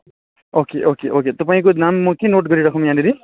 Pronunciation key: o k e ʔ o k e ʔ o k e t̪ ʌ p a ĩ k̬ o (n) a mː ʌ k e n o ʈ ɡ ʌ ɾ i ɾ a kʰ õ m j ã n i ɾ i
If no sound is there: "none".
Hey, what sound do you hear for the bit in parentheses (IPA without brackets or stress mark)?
n